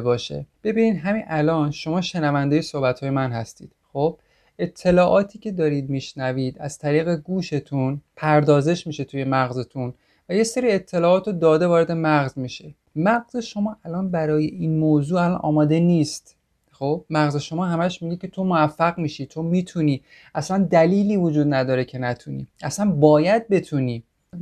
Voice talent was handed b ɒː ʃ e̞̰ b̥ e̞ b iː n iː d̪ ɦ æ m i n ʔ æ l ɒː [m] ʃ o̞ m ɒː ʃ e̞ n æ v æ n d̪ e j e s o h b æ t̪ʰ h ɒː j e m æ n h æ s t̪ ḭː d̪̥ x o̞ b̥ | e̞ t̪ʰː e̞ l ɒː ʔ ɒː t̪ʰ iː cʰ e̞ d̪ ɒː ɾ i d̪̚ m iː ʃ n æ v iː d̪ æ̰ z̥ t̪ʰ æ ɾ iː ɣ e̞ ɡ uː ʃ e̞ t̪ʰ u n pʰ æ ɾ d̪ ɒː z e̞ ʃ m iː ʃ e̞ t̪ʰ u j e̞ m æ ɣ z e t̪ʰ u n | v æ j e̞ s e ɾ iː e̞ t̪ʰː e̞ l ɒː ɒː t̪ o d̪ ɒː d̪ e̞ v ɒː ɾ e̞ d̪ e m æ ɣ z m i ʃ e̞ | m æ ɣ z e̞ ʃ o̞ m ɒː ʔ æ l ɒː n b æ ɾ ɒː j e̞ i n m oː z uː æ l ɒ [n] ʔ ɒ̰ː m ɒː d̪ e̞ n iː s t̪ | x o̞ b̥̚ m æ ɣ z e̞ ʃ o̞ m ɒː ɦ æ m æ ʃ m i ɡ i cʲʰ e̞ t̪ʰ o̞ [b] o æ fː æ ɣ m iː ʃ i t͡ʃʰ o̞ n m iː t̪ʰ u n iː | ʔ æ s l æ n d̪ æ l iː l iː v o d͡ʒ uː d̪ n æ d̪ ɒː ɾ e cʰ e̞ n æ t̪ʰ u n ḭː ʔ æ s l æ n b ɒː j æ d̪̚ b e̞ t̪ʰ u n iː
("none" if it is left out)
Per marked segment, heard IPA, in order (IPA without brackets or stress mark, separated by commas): n, n, m